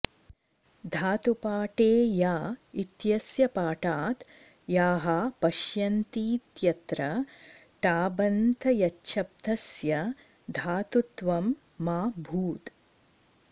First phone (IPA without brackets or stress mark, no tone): d̪ʱ